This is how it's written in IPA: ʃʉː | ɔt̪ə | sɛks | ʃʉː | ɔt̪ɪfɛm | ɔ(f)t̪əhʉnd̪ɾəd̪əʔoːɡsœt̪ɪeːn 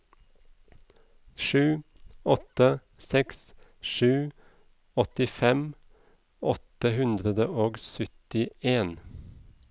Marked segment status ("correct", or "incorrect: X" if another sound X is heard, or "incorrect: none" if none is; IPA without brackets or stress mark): incorrect: none